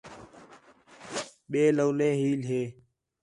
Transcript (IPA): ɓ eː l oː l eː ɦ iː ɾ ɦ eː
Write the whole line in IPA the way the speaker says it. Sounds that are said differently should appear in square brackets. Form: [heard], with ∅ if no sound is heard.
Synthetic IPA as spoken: ɓ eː l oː l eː ɦ iː [l] ɦ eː